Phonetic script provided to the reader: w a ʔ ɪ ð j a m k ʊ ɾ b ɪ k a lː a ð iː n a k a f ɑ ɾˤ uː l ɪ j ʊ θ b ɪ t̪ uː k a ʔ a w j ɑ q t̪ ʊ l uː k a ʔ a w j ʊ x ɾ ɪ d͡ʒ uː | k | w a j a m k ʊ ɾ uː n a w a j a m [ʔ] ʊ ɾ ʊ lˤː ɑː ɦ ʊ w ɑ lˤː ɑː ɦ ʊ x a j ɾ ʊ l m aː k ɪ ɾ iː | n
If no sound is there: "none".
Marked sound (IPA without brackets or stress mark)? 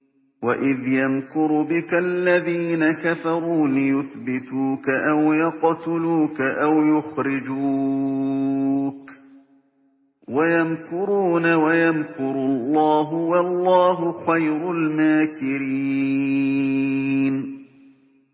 k